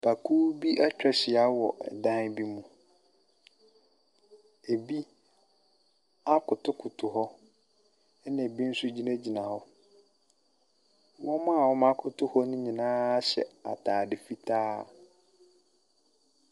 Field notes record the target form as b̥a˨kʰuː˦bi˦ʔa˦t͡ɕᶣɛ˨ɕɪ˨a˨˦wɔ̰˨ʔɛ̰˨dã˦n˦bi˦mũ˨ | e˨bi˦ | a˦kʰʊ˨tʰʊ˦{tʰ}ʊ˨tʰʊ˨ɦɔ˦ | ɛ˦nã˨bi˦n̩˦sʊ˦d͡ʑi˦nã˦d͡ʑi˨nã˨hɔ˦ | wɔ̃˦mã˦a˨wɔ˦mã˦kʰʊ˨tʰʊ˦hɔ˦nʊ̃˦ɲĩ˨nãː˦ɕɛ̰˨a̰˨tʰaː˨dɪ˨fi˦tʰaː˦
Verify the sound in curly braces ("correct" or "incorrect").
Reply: incorrect